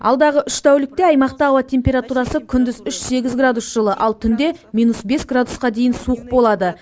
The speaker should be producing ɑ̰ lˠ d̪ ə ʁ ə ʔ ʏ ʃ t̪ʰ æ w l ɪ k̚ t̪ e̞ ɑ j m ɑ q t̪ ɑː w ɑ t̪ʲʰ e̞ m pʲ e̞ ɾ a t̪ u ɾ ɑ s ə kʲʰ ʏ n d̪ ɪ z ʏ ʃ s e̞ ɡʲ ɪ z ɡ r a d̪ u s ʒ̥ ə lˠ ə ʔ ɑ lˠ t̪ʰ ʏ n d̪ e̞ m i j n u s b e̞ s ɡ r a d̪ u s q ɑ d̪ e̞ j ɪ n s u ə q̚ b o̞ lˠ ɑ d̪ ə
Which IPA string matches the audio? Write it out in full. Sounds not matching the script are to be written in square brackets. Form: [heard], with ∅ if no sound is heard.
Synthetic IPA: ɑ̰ lˠ d̪ [ɑ] ʁ ə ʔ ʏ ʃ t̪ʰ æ w l ɪ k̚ t̪ e̞ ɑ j m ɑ q t̪ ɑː w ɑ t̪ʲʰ e̞ m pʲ e̞ ɾ a t̪ u ɾ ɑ s ə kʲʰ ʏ n d̪ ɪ z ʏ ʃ s e̞ ɡʲ ɪ z ɡ r a d̪ u s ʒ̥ ə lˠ ə ʔ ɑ lˠ t̪ʰ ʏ n d̪ e̞ m i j n u s b e̞ s ɡ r a d̪ u s q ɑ d̪ e̞ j ɪ n s u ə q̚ b o̞ lˠ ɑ d̪ ə